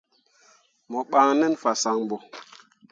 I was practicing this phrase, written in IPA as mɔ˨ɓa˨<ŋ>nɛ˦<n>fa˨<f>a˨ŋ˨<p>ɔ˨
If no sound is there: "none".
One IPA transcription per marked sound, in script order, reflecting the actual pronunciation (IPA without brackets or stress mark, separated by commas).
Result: ŋ, n, s, b